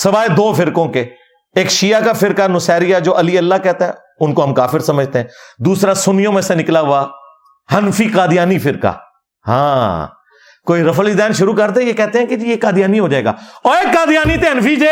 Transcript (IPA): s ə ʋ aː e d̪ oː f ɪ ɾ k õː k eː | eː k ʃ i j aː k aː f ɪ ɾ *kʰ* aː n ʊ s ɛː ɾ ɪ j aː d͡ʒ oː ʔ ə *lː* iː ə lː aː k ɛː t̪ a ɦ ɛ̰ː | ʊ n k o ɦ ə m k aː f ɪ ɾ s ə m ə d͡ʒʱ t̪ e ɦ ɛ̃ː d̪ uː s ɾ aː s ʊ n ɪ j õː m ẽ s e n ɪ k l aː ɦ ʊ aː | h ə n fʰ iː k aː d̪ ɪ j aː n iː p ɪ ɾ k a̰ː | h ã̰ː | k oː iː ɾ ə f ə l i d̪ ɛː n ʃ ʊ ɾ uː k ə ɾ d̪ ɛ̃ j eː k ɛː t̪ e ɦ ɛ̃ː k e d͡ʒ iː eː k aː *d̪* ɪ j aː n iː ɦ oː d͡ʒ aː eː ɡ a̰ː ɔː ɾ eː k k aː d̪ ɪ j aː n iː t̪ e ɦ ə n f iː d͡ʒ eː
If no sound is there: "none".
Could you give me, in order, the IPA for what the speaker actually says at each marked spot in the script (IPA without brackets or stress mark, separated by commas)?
k, l, d̪